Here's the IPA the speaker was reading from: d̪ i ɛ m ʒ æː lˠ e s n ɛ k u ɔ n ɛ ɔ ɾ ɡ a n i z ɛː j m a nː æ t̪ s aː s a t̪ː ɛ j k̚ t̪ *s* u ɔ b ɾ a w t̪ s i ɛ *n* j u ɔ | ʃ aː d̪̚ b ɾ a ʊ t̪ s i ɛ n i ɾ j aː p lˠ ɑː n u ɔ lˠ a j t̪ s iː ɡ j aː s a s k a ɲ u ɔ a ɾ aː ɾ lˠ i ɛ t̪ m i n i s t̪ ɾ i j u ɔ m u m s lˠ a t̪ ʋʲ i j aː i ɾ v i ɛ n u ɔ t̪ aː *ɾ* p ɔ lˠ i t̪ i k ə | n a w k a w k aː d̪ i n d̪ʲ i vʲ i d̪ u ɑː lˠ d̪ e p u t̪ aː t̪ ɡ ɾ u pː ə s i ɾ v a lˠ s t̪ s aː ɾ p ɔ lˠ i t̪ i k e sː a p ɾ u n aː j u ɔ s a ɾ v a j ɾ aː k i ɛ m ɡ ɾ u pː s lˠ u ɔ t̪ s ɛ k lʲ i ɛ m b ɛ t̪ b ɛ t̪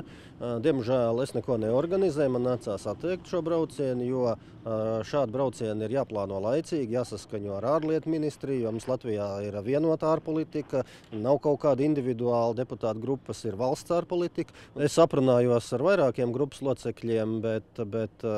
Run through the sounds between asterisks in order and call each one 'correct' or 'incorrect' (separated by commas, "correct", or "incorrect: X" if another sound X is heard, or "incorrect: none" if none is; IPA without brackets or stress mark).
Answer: incorrect: ʃ, correct, correct